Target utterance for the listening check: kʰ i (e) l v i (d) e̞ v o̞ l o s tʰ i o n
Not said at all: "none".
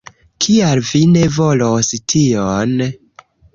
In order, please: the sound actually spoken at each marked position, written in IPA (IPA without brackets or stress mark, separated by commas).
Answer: a, n